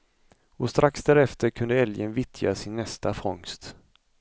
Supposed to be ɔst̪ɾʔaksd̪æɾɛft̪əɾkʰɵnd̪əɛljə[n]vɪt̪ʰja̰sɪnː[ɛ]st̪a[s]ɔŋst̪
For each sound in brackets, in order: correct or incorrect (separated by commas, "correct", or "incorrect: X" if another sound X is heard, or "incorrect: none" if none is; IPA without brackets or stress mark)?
correct, correct, incorrect: f